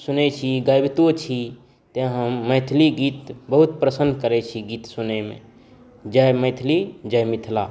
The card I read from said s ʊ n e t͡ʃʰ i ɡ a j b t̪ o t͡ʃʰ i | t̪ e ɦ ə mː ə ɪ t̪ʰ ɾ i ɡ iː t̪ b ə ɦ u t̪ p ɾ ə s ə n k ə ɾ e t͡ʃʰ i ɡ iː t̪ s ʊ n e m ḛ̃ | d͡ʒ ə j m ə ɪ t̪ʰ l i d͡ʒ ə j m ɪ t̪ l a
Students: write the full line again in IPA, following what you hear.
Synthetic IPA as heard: s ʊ n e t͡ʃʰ i ɡ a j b t̪ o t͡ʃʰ i | t̪ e ɦ ə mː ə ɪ t̪ʰ l i ɡ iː t̪ b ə ɦ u t̪ p ɾ ə s ə n k ə ɾ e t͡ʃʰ i ɡ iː t̪ s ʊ n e m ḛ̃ | d͡ʒ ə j m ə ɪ t̪ʰ l i d͡ʒ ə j m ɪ t̪ʰ l a

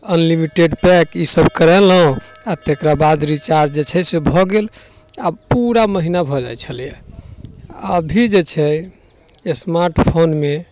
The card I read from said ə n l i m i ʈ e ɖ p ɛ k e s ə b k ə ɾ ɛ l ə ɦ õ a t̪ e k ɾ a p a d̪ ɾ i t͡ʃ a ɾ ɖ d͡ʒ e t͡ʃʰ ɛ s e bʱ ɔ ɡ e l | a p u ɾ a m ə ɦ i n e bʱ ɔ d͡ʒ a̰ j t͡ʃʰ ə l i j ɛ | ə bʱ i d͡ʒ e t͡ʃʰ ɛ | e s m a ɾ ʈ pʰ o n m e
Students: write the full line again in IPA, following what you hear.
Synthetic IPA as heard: ə n l i m i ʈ e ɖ p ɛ k i s ə b k ə ɾ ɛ l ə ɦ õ a t̪ e k ɾ a b a d̪ ɾ i t͡ʃ a ɾ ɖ d͡ʒ e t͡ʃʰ ɛ s e bʱ ɔ ɡ e l | a p u ɾ a m ə ɦ i n a bʱ ɔ d͡ʒ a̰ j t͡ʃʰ ə l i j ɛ | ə bʱ i d͡ʒ e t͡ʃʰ ɛ | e s m a ɾ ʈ pʰ o n m e

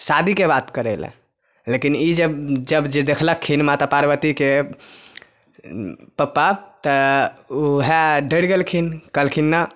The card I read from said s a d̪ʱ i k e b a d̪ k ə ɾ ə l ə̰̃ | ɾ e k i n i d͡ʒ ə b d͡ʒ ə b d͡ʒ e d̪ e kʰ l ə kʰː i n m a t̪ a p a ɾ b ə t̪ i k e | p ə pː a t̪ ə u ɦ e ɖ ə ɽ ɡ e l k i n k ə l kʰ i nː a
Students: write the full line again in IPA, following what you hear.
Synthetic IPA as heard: s a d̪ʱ i k e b a t̪ k ə ɾ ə l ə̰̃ | l e k i n i d͡ʒ ə b d͡ʒ ə b d͡ʒ e d̪ e kʰ l ə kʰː i n m a t̪ a p a ɾ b ə t̪ i k e | p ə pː a t̪ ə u ɦ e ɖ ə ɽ ɡ e l kʰ i n k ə l kʰ i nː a

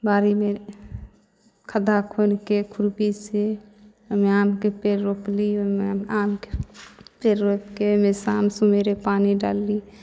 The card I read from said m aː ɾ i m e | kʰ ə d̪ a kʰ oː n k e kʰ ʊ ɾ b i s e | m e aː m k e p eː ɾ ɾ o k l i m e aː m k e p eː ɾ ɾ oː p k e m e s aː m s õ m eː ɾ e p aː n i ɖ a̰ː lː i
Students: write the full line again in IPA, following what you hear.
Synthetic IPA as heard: b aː ɾ i m e | kʰ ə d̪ a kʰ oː n k e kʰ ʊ ɾ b i s e | m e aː m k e p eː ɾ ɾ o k l i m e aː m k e p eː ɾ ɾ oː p k e m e s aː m s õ m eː ɾ e p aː n i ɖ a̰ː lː i

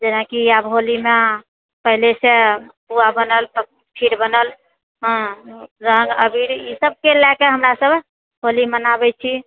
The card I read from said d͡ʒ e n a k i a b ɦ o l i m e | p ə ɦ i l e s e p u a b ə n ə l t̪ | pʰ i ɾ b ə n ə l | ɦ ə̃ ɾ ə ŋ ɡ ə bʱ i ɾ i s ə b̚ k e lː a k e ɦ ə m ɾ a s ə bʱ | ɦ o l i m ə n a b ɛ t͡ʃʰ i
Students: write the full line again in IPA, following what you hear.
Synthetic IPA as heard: d͡ʒ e n a k i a b ɦ o l i m e | p ə ɦ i l e s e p u a b ə n ə l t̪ | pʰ i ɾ b ə n ə l | ɦ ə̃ ɾ ə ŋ ɡ ə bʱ i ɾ i s ə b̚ k e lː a k e ɦ ə m ɾ a s ə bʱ | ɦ o l i m ə n a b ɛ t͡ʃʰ i

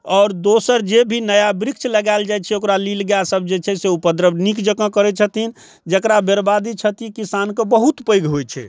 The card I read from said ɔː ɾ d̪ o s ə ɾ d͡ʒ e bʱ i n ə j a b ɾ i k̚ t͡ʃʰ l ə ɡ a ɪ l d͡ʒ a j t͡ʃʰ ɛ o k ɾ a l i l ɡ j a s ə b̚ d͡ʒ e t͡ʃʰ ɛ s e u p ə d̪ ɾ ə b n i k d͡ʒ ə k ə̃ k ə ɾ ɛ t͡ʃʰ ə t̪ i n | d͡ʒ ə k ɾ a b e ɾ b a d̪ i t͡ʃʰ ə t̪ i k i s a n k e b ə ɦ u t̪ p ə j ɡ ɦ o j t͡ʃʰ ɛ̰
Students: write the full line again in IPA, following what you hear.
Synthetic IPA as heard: ɔː ɾ d̪ o s ə ɾ d͡ʒ e bʱ i n ə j a b ɾ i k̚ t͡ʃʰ l ə ɡ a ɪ l d͡ʒ a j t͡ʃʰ ɛ o k ɾ a l i l ɡ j a s ə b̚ d͡ʒ e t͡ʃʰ ɛ s e u p ə d̪ ɾ ə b n i k d͡ʒ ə k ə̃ k ə ɾ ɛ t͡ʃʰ ə t̪ i n | d͡ʒ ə k ɾ a b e ɾ b a d̪ i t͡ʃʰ ə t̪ i k i s a n k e b ə ɦ u t̪ p ə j ɡ ɦ o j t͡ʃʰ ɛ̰

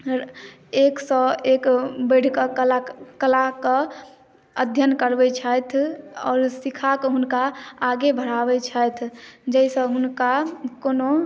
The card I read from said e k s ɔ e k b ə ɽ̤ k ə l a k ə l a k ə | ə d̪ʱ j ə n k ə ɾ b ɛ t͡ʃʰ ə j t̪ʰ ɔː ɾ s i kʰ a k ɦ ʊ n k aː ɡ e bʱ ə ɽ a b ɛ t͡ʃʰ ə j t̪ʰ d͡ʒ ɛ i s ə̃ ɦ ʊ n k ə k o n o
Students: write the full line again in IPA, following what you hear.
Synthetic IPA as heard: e k s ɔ e k b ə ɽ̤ k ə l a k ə l a k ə | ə d̪ʱ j ə n k ə ɾ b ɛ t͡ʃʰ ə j t̪ʰ ɔː ɾ s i kʰ a k ɦ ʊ n k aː ɡ e bʱ ə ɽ a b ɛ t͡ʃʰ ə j t̪ʰ d͡ʒ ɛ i s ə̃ ɦ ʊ n k a k o n o

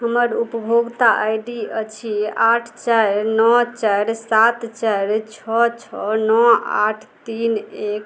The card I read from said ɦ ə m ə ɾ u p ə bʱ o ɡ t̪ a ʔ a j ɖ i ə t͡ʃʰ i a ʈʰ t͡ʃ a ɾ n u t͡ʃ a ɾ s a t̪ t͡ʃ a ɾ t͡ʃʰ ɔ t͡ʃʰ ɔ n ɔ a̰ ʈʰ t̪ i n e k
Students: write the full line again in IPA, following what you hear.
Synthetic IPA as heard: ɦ ə m ə ɾ u p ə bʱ o ɡ t̪ a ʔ a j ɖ i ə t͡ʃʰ i a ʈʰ t͡ʃ a ɾ n ɔ t͡ʃ a ɾ s a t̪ t͡ʃ a ɾ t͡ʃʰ ɔ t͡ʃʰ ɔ n ɔ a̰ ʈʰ t̪ i n e k

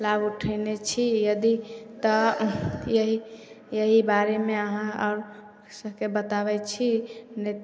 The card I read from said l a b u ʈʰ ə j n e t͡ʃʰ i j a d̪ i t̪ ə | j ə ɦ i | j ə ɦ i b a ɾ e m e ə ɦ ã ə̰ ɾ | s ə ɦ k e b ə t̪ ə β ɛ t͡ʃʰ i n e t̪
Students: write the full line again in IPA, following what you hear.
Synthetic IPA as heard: l a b u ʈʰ ə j n e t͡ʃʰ i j ə d̪ i t̪ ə | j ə ɦ i | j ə ɦ i b a ɾ e m e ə ɦ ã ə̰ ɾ | s ə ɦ k e b ə t̪ a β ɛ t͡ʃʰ i n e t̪

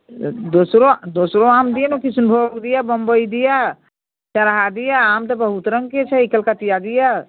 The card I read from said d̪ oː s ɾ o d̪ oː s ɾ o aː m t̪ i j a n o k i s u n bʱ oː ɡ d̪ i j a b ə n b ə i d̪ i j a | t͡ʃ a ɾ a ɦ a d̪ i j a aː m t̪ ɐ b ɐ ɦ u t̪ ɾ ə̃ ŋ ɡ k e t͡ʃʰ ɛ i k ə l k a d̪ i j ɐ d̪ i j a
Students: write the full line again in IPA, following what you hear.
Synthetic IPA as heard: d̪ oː s ɾ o d̪ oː s ɾ o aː m d̪ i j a n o k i s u n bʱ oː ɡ d̪ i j a b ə m b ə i d̪ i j a | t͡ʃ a ɾ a ɦ a d̪ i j a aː m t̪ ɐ b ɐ ɦ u t̪ ɾ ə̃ ŋ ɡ k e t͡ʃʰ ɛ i k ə l k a t̪ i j a d̪ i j a

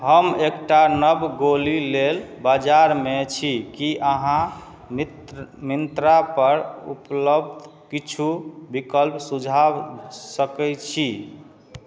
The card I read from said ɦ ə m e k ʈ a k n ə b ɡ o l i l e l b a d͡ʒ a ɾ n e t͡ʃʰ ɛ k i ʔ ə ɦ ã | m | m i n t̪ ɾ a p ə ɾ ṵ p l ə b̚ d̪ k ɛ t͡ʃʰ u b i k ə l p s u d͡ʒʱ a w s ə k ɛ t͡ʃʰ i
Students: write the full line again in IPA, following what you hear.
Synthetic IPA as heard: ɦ ə m e k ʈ a n ə b ɡ o l i l e l b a d͡ʒ a ɾ m e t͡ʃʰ i k i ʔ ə ɦ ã | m | m i n t̪ ɾ a p ə ɾ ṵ p l ə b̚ d̪ k i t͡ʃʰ u b i k ə l p s u d͡ʒʱ a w s ə k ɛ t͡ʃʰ i

